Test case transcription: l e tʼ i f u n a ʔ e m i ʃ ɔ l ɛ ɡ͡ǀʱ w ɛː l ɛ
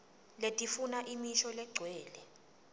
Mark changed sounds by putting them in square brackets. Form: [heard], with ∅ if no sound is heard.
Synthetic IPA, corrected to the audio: l e tʼ i f u n a ʔ [i] m i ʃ ɔ l ɛ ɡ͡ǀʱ w ɛː l ɛ

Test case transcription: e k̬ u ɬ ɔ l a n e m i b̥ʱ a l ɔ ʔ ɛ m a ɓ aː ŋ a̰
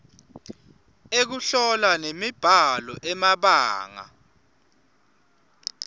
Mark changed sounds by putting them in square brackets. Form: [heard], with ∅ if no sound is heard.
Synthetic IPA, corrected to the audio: e k̬ u ɬ ɔ l a n e m i b̥ʱ a l ɔ ʔ ɛ m a ɓ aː ŋ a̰

